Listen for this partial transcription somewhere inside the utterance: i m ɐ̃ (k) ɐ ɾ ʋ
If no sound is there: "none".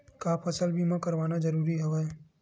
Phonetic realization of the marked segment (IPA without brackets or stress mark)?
k